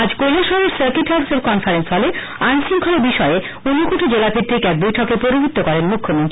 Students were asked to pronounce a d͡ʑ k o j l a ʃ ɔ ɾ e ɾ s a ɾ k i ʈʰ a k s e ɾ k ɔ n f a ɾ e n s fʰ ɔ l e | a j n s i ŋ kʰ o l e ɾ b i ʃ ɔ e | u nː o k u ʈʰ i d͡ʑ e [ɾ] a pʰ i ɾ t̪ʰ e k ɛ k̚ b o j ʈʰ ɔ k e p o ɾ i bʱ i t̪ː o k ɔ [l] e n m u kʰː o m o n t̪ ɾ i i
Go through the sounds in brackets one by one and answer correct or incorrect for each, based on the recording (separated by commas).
incorrect, incorrect